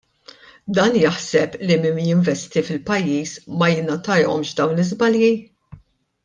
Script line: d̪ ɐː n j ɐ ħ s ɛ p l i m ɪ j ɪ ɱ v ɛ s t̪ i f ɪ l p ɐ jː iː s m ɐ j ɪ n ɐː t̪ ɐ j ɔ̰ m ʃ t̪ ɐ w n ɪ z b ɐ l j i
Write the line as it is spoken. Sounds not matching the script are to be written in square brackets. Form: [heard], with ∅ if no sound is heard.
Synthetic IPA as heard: d̪ ɐː n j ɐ ħ s ɛ p l i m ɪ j ɪ ɱ v ɛ s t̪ i f ɪ l p ɐ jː iː s m ɐ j ɪ n [ɐ] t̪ ɐ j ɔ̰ m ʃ [d̪] ɐ w n ɪ z b ɐ l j i